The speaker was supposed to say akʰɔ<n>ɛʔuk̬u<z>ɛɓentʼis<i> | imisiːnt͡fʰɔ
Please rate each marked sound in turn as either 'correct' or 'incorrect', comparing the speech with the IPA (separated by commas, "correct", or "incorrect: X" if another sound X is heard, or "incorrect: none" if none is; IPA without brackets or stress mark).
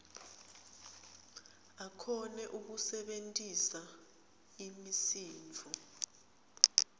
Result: correct, incorrect: s, incorrect: a